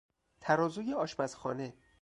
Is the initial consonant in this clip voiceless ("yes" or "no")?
yes